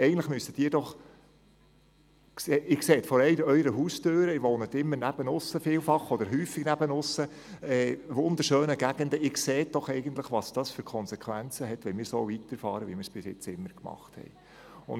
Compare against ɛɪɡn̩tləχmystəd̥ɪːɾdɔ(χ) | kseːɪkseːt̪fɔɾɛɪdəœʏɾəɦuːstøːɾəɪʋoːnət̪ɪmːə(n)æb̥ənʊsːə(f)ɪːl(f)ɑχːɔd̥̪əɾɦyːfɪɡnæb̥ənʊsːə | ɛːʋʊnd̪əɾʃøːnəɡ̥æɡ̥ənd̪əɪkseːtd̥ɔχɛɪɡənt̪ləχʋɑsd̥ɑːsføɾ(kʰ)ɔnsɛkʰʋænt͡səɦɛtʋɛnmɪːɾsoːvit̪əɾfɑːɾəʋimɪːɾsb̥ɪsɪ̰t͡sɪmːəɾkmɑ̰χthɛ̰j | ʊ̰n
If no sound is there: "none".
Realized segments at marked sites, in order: χ, n, f, f, kʰ

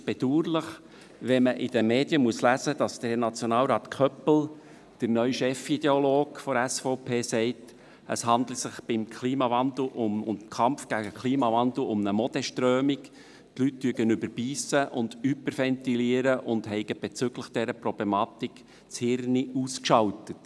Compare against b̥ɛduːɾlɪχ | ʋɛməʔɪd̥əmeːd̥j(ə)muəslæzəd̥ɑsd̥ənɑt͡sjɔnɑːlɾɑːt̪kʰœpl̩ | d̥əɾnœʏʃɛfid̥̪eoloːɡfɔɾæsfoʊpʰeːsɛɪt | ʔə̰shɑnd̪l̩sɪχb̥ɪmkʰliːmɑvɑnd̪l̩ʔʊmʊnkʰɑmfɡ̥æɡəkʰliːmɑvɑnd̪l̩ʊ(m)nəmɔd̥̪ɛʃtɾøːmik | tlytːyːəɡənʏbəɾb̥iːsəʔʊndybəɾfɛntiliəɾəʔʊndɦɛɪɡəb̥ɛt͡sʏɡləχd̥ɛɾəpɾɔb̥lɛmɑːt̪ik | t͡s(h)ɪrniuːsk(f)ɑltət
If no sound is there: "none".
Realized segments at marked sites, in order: ə, m, h, ʃ

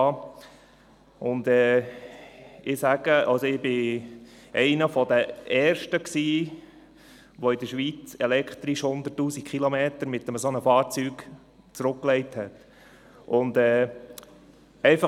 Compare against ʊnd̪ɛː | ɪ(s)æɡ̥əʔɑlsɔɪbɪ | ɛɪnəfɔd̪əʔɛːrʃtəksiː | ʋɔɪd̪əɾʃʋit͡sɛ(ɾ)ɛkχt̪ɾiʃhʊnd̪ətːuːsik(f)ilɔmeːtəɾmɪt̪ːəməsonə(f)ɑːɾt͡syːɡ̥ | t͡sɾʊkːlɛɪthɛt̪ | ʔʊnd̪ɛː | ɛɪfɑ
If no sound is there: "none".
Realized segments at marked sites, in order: s, l, χ, f

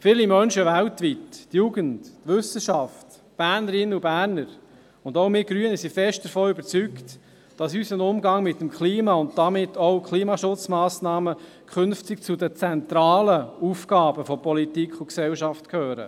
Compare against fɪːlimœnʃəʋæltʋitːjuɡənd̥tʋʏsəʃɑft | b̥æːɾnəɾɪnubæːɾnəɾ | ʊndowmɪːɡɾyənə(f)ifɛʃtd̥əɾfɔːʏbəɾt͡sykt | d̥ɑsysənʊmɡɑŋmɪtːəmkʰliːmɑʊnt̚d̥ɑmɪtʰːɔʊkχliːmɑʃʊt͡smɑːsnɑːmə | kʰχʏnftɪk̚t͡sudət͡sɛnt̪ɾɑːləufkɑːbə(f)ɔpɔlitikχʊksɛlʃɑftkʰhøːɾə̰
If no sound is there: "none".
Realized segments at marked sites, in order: s, f

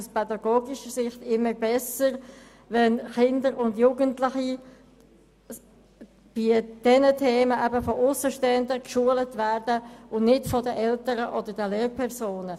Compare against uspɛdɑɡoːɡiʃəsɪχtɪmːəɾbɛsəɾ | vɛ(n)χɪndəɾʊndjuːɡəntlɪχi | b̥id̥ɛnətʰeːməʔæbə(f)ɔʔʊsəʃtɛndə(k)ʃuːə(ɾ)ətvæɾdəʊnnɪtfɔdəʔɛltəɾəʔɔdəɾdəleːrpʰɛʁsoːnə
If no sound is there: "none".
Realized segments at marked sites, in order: n, f, k, l

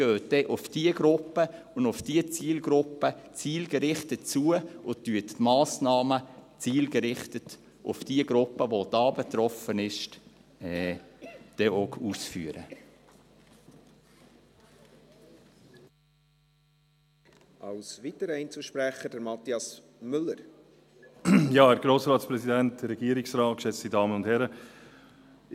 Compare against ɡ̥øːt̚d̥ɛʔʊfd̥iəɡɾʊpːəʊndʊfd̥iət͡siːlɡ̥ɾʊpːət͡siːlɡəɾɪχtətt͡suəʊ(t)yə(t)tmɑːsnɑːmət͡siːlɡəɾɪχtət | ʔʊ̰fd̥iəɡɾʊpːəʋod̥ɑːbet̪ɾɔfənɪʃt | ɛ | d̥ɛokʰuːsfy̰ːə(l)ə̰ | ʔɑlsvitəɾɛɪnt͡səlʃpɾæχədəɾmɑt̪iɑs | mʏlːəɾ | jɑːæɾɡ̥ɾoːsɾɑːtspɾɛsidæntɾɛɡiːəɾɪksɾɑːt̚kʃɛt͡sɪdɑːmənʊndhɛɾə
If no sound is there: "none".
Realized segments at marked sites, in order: t, t, ɾ

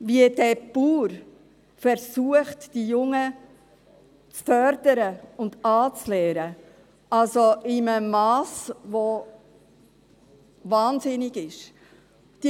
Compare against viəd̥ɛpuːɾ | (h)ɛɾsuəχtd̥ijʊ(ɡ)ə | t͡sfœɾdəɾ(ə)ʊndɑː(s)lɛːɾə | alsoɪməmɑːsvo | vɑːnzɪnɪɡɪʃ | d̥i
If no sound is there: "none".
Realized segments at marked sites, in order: f, ŋ, ə, t͡s

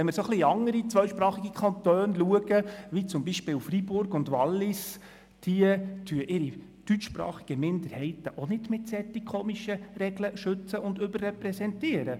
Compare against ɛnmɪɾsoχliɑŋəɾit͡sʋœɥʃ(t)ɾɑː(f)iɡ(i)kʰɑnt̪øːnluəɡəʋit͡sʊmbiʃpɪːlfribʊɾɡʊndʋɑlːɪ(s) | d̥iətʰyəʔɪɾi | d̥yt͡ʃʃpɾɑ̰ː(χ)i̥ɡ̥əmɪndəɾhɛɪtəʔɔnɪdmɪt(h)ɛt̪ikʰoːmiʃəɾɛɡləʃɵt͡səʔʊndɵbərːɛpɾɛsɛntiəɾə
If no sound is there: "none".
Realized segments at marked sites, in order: p, χ, i, s, χ, s

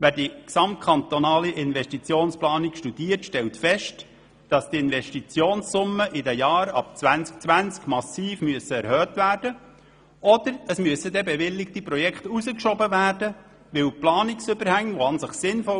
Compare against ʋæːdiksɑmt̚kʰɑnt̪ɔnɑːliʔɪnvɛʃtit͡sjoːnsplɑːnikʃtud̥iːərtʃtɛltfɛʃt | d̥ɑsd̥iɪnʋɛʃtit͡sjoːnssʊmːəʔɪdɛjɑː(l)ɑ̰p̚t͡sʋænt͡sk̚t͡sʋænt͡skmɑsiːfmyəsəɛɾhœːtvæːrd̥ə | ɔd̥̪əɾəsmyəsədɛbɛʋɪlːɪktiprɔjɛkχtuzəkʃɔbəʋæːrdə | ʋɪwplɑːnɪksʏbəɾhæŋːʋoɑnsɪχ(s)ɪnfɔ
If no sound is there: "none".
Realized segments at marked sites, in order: ɾ, s

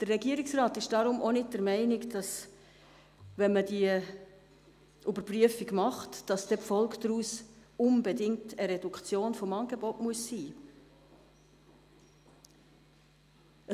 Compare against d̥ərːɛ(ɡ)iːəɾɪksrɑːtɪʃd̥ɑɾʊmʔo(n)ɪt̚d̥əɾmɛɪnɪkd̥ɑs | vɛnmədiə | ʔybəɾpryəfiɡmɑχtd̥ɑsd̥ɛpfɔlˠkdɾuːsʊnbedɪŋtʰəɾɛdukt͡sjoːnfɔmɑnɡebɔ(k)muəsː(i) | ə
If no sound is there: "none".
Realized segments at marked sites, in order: ɡ, n, t, iː

